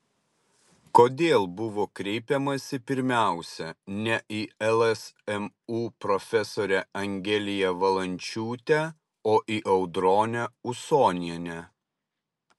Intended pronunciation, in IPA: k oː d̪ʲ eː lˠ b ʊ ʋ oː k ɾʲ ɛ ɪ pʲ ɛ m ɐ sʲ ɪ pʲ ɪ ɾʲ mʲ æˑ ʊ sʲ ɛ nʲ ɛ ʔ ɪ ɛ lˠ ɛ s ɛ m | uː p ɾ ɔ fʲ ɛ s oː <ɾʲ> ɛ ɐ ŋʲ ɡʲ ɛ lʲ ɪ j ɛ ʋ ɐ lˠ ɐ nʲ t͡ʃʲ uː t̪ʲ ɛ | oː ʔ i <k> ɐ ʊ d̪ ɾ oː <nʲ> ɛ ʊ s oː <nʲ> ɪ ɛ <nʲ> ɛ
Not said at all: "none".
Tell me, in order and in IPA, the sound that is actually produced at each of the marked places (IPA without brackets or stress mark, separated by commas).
ɾʲ, ʔ, nʲ, nʲ, nʲ